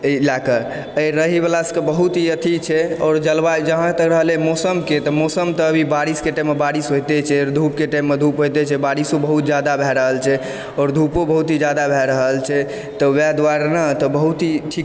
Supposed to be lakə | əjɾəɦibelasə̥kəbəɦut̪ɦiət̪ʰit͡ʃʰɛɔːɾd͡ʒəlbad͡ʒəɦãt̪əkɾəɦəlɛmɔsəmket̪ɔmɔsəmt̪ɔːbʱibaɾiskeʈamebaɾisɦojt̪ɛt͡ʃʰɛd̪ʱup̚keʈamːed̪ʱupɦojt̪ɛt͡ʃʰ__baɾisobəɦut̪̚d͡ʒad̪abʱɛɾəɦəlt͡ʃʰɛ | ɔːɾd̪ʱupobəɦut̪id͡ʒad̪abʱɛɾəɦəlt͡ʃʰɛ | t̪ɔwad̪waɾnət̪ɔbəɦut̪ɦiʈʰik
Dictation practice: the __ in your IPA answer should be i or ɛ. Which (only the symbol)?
ɛ